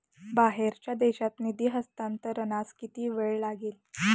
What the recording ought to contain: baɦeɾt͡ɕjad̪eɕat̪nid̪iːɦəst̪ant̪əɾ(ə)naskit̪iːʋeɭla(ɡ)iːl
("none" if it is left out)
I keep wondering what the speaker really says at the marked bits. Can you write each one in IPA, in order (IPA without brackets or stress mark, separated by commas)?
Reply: ə, ɡ